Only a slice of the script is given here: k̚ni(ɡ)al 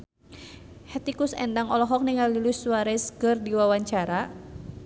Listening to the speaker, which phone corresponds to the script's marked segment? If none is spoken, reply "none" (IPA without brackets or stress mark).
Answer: ŋ